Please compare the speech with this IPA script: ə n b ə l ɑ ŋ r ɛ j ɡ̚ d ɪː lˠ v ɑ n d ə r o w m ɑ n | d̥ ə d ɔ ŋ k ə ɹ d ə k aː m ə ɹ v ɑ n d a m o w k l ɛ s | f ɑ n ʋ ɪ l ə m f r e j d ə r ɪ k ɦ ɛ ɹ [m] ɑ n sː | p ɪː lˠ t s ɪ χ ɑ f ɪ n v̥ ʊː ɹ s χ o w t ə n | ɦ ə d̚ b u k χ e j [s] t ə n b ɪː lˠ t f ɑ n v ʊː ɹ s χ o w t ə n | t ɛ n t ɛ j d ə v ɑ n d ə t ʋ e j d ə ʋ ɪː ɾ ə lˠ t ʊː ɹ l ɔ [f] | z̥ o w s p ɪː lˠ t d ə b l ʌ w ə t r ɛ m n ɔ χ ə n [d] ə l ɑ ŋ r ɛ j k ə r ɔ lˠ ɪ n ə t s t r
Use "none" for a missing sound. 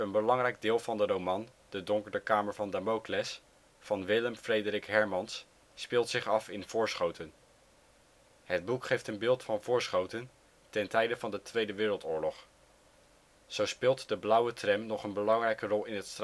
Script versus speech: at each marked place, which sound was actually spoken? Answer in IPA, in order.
m, f, χ, b

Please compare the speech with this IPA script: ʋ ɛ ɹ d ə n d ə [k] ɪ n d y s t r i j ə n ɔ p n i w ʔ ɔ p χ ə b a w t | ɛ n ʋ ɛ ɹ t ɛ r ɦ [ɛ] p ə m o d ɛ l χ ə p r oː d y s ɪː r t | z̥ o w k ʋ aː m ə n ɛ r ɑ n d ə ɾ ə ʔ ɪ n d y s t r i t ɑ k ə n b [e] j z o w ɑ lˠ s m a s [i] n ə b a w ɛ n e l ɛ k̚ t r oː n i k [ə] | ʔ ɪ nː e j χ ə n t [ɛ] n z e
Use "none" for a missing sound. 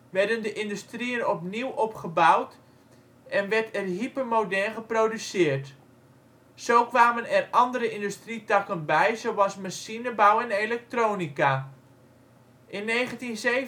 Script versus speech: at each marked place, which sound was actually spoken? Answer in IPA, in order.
ʔ, i, ɛ, i, a, i

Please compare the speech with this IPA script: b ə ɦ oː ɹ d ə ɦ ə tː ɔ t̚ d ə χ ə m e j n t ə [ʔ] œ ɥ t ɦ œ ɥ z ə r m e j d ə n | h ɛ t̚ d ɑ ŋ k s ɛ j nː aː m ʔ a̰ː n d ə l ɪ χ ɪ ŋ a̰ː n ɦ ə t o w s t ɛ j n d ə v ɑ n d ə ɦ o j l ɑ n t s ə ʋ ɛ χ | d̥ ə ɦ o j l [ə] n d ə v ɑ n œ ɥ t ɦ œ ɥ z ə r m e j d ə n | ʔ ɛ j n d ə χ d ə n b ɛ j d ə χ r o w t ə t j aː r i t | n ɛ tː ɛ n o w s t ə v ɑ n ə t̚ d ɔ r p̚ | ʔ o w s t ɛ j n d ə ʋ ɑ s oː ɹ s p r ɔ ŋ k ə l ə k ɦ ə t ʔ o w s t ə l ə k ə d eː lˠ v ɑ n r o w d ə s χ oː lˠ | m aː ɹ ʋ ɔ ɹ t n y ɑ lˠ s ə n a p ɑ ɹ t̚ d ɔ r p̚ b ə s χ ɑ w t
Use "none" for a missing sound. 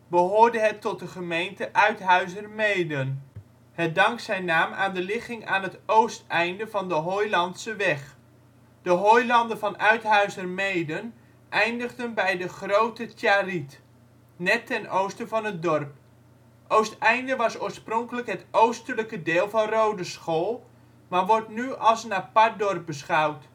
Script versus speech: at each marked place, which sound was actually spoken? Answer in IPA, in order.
ʔ, ɑ

